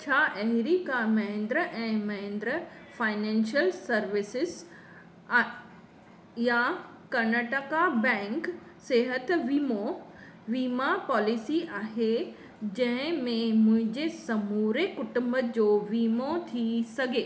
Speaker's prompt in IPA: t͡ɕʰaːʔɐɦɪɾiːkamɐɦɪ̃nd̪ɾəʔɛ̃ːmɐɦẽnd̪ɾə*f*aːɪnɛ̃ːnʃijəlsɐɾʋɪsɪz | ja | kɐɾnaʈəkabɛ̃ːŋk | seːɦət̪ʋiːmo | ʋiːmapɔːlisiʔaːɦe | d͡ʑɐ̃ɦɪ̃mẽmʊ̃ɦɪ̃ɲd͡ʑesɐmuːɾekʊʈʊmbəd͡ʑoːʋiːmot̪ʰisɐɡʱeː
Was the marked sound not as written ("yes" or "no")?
no